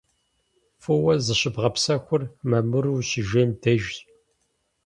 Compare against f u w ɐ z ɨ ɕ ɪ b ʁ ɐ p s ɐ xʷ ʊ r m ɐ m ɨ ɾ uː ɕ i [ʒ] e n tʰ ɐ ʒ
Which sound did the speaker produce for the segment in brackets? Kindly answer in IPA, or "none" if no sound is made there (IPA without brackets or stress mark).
ʒ